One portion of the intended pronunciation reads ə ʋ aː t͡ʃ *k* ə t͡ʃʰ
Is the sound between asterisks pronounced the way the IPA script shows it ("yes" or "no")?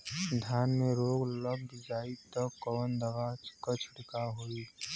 yes